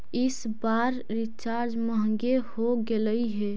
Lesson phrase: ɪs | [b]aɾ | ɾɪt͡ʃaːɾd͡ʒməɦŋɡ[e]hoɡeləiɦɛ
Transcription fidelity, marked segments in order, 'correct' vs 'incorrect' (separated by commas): correct, correct